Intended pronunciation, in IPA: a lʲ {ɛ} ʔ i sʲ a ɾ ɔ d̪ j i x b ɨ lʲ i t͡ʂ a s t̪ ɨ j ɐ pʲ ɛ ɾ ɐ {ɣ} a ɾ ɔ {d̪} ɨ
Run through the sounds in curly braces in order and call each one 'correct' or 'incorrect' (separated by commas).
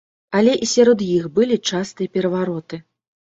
correct, incorrect, incorrect